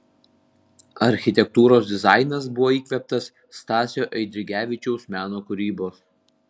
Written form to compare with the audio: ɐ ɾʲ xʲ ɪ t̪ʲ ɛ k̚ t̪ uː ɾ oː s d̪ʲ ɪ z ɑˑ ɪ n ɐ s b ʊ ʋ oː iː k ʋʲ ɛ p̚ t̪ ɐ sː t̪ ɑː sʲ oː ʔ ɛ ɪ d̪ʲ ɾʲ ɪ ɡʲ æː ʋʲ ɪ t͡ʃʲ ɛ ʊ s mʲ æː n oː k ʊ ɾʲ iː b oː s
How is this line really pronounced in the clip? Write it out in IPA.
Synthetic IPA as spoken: ɐ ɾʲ xʲ ɪ t̪ʲ ɛ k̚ t̪ uː ɾ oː s d̪ʲ ɪ z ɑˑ ɪ n ɐ s b ʊ ʋ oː iː k ʋʲ ɛ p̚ t̪ ɐ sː t̪ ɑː sʲ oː ʔ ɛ ɪ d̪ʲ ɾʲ ɪ ɡʲ æː ʋʲ ɪ t͡ʃʲ ɛ ʊ s mʲ æː n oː k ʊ ɾʲ iː b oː s